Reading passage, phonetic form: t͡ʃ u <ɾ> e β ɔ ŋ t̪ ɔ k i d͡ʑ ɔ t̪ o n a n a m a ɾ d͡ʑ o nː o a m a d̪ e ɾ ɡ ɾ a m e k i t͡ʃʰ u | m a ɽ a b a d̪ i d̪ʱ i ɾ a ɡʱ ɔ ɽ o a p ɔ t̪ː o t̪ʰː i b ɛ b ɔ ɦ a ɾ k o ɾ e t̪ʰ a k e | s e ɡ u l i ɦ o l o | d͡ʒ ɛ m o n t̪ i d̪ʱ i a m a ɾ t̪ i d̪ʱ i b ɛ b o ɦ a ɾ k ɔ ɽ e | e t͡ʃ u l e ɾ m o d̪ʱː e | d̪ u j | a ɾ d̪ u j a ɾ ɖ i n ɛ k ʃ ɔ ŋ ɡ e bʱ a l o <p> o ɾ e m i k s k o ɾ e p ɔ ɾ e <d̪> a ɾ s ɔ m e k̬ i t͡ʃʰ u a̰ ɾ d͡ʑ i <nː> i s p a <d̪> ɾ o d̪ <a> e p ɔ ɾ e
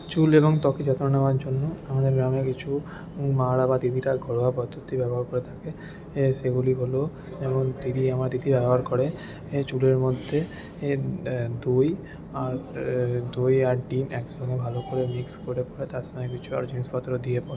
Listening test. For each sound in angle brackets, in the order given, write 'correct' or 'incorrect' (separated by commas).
incorrect, incorrect, incorrect, incorrect, incorrect, incorrect